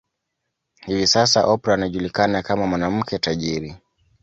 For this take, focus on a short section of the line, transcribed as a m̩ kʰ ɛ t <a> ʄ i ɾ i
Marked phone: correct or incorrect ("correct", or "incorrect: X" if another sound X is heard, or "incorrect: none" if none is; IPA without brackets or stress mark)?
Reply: correct